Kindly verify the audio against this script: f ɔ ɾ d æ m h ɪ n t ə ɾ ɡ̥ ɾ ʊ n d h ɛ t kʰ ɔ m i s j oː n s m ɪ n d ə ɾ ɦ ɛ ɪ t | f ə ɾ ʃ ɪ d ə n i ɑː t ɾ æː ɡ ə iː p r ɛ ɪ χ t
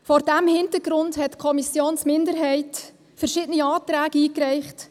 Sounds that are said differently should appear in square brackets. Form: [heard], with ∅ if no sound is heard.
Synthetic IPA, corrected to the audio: f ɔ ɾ d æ m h ɪ n t ə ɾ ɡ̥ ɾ ʊ n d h ɛ t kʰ ɔ m i s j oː n s m ɪ n d ə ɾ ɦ ɛ ɪ t | f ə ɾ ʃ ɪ d ə n i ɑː t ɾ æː ɡ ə iː [k] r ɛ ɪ χ t